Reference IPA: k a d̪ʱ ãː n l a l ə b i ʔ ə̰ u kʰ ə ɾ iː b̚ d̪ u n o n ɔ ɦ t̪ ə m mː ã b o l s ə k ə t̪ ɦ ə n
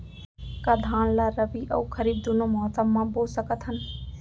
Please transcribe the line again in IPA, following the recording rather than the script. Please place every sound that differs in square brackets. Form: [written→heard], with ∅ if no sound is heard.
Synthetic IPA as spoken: k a d̪ʱ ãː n l a [l→ɾ] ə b i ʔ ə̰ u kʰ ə ɾ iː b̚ d̪ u n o [n→m] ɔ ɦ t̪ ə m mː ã b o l s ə k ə t̪ ɦ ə n